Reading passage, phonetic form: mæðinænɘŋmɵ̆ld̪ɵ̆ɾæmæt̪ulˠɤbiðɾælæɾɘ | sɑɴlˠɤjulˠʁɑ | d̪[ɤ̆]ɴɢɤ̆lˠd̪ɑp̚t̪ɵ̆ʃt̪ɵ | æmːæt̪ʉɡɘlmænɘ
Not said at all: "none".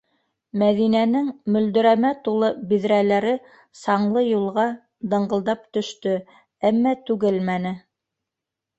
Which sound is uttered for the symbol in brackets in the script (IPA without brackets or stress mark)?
ɤ̆